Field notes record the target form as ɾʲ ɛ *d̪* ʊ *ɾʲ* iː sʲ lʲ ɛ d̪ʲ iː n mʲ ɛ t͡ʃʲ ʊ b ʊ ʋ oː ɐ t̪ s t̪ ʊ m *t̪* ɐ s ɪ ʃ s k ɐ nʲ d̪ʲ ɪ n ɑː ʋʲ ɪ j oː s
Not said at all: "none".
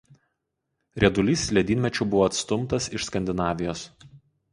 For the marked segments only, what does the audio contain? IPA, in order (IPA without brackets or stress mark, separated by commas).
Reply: d̪, lʲ, t̪